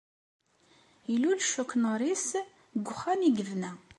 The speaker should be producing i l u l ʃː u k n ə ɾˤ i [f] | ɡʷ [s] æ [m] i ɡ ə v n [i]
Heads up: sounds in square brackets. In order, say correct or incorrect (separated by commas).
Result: incorrect, incorrect, incorrect, incorrect